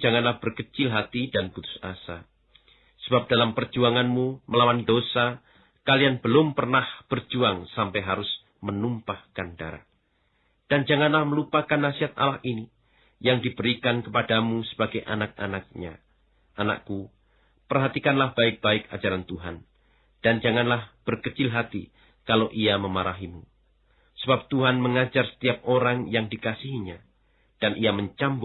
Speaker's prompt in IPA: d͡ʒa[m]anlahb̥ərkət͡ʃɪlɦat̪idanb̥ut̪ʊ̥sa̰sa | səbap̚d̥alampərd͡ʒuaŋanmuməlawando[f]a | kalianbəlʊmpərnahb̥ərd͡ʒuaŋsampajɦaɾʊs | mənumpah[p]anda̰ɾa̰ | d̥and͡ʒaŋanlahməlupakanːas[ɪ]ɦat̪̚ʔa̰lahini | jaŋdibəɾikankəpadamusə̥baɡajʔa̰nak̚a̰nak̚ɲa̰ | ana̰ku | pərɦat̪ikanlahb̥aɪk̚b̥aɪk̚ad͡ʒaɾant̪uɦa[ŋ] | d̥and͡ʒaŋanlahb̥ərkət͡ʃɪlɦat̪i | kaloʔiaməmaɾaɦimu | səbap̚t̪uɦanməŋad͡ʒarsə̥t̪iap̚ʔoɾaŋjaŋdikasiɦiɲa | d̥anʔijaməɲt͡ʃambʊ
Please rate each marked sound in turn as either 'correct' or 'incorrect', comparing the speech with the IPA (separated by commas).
incorrect, incorrect, incorrect, incorrect, incorrect